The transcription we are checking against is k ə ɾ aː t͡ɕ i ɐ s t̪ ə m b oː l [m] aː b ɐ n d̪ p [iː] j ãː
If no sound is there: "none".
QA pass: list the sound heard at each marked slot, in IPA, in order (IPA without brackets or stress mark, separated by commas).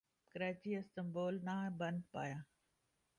n, aː